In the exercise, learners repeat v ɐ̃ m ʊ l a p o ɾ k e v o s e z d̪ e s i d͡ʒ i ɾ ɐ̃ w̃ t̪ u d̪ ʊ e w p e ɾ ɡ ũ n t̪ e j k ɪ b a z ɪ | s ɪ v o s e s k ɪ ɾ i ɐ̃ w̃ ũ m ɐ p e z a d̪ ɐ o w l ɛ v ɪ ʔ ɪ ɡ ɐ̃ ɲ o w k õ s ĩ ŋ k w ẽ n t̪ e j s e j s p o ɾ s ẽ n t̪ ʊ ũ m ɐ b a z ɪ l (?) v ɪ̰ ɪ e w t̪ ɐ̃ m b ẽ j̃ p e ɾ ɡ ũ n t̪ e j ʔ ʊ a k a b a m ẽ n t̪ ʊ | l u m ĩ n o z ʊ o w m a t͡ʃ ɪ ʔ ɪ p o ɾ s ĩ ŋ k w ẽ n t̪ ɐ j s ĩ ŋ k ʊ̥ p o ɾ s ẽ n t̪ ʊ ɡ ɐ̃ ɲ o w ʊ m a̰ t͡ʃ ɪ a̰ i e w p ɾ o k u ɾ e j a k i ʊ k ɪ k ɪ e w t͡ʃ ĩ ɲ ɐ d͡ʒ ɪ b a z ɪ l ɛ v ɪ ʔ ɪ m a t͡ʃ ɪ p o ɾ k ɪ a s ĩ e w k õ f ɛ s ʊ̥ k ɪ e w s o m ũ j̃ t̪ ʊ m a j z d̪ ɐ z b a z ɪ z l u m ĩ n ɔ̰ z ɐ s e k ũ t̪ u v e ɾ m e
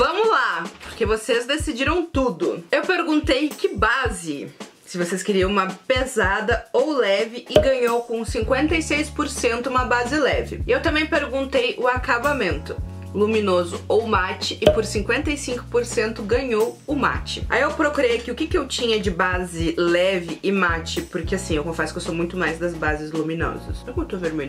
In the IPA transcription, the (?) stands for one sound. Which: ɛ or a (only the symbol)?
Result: ɛ